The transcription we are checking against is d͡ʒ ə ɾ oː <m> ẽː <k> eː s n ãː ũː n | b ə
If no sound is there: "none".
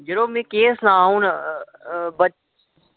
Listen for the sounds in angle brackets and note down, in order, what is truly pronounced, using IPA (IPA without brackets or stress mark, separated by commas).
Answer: m, k